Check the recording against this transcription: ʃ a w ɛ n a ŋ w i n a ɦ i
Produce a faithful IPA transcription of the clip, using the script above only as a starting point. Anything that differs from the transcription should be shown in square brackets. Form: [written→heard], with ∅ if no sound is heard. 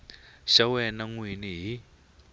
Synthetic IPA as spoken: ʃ a w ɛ n a ŋ w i n [a→i] ɦ i